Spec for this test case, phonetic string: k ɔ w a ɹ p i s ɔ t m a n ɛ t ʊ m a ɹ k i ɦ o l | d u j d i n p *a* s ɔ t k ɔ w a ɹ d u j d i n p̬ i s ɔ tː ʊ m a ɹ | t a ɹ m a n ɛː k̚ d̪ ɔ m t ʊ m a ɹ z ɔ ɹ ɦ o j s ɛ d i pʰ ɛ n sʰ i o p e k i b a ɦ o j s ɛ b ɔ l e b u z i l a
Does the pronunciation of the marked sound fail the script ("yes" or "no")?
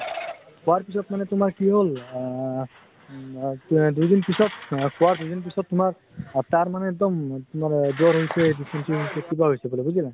yes